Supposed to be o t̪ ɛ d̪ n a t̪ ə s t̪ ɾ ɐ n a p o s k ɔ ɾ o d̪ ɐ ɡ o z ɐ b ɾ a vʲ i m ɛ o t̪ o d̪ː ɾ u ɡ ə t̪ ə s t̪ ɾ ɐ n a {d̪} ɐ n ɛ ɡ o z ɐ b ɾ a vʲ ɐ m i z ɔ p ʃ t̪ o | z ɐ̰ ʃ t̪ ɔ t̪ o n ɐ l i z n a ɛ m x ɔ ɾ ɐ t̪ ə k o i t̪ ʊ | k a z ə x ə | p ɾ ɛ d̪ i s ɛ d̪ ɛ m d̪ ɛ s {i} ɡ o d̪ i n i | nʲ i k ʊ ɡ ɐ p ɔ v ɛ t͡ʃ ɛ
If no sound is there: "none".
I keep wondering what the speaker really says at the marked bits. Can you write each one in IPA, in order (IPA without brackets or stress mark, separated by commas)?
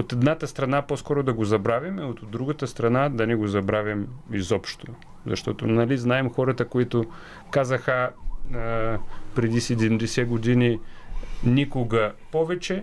d̪, ɛ